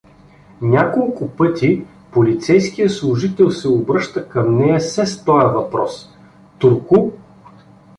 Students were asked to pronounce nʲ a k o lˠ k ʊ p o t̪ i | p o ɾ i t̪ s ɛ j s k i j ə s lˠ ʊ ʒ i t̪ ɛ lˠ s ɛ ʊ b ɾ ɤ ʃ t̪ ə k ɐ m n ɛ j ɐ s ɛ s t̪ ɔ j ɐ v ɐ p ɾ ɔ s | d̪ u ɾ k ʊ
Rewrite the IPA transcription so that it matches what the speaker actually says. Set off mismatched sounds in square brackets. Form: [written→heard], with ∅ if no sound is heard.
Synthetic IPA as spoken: nʲ a k o lˠ k ʊ p [o→ɤ] t̪ i | p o [ɾ→l] i t̪ s ɛ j s k i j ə s lˠ ʊ ʒ i t̪ ɛ lˠ s ɛ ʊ b ɾ ɤ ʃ t̪ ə k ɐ m n ɛ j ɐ s ɛ s t̪ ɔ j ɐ v ɐ p ɾ ɔ s | [d̪→t̪] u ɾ k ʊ